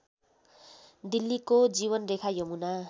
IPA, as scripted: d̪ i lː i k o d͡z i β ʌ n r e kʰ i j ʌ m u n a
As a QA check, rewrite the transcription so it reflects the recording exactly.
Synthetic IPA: d̪ i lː i k o d͡z i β ʌ n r e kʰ a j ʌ m u n a